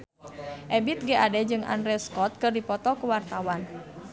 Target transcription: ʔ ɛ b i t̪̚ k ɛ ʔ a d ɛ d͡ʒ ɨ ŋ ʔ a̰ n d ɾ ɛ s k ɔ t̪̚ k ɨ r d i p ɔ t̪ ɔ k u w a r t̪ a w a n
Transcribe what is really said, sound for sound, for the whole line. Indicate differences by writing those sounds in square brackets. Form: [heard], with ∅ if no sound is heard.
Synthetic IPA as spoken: ʔ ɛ b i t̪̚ [ɡ] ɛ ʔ a d ɛ d͡ʒ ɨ ŋ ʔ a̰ n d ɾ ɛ s k ɔ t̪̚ k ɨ r d i p ɔ t̪ ɔ k u w a r t̪ a w a n